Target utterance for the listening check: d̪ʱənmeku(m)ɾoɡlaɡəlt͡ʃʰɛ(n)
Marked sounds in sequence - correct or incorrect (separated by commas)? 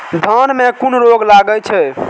incorrect, incorrect